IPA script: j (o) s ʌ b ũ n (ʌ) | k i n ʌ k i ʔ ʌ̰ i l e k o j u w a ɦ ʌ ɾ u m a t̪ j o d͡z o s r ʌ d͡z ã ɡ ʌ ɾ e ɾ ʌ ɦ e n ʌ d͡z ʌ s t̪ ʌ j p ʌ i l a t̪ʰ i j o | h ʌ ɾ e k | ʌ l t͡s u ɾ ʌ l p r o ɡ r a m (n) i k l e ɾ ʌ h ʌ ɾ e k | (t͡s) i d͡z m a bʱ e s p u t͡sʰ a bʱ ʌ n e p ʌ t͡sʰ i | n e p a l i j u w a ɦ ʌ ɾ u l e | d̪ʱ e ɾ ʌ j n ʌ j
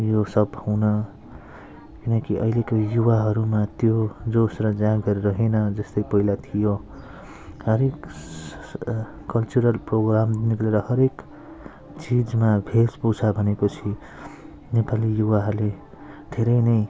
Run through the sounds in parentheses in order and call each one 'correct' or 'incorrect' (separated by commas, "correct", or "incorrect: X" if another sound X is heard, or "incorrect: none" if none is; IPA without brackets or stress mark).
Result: correct, correct, correct, correct